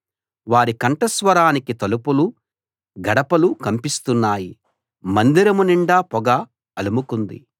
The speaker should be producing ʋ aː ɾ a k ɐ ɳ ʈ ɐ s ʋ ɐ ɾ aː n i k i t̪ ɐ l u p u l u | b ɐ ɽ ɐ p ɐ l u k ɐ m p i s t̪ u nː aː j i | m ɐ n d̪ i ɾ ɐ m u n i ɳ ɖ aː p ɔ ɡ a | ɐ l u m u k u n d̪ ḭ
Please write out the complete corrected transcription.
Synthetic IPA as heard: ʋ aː ɾ i k ɐ ɳ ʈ ɐ s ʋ ɐ ɾ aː n i k i t̪ ɐ l u p u l u | ɡ ɐ ɽ ɐ p ɐ l u k ɐ m p i s t̪ u nː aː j i | m ɐ n d̪ i ɾ ɐ m u n i ɳ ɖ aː p ɔ ɡ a | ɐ l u m u k u n d̪ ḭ

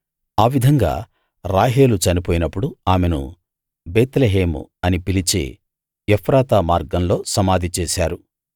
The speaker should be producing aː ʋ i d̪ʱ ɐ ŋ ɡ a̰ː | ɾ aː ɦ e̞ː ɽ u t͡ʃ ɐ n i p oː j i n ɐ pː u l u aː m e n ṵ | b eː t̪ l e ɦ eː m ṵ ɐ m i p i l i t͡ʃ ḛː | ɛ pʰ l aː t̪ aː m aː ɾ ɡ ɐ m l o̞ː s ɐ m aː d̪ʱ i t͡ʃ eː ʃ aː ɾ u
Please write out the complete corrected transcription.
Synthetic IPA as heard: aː ʋ i d̪ʱ ɐ ŋ ɡ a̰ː | ɾ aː ɦ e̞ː l u t͡ʃ ɐ n i p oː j i n ɐ pː u ɽ u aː m e n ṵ | b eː t̪ l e ɦ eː m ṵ ɐ n i p i l i t͡ʃ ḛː | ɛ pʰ ɾ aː t̪ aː m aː ɾ ɡ ɐ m l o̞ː s ɐ m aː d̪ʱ i t͡ʃ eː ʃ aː ɾ u

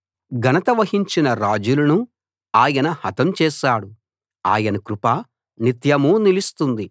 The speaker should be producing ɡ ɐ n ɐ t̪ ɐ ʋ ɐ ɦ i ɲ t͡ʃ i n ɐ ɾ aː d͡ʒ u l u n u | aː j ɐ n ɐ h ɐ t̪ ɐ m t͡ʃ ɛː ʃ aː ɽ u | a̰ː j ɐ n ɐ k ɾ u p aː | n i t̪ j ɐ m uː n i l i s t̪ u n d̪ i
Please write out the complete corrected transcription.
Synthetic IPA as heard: ɡ ɐ n ɐ t̪ ɐ ʋ ɐ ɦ i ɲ t͡ʃ i n ɐ ɾ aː d͡ʒ u l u n u | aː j ɐ n ɐ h ɐ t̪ ɐ m t͡ʃ ɛː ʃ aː ɽ u | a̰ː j ɐ n ɐ k ɾ u p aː | n i t̪ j ɐ m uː n i l i s t̪ u n d̪ i

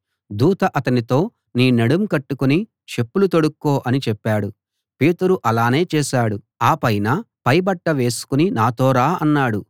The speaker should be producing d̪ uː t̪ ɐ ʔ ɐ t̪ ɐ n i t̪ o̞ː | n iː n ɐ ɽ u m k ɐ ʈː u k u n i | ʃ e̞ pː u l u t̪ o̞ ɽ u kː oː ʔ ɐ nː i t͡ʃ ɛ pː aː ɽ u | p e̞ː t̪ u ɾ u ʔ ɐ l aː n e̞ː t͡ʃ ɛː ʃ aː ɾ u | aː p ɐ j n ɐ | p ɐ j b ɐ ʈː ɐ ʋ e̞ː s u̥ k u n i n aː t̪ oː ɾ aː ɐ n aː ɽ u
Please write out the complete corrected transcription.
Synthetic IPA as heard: d̪ uː t̪ ɐ ʔ ɐ t̪ ɐ n i t̪ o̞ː | n iː n ɐ ɽ u m k ɐ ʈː u k u n i | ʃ e̞ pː u l u t̪ o̞ ɽ u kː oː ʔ ɐ n i t͡ʃ ɛ pː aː ɽ u | p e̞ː t̪ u ɾ u ʔ ɐ l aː n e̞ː t͡ʃ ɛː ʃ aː ɽ u | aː p ɐ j n ɐ | p ɐ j b ɐ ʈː ɐ ʋ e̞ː s u̥ k u n i n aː t̪ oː ɾ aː ɐ nː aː ɽ u

